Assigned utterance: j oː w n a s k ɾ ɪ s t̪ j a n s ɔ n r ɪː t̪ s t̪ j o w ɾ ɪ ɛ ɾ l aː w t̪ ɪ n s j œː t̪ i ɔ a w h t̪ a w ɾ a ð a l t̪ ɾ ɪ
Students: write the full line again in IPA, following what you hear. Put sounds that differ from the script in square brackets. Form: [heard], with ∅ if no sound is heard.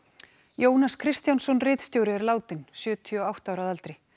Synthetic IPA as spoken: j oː w n a s [kʰ] ɾ ɪ s t̪ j a n s ɔ n r ɪː t̪ s t̪ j o w ɾ ɪ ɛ ɾ l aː w t̪ ɪ n s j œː [t̪ʰ] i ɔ a w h t̪ a w ɾ a ð a l t̪ ɾ ɪ